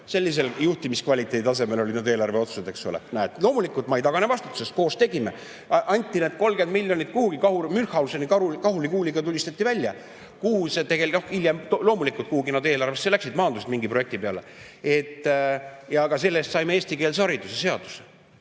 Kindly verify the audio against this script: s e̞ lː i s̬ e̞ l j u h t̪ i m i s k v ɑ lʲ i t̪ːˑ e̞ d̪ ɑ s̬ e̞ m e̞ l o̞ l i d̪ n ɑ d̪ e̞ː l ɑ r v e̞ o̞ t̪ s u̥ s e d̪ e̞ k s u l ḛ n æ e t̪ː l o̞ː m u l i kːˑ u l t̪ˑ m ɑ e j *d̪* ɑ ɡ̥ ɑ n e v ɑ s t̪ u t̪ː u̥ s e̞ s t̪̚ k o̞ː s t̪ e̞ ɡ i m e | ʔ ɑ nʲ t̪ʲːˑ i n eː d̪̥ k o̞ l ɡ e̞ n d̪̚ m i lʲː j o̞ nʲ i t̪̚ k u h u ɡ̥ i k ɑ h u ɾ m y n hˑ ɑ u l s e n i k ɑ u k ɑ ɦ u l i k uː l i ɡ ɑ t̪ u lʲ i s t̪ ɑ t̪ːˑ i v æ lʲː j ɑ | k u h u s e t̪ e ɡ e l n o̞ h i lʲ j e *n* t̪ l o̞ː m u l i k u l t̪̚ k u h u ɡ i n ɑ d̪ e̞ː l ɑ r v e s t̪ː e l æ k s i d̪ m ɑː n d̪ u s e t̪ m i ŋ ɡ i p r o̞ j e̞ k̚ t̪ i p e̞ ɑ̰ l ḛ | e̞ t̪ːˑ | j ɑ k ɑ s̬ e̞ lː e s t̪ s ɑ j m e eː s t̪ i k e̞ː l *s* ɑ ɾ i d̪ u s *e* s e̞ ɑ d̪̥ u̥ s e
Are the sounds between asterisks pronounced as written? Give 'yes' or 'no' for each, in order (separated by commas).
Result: no, no, yes, yes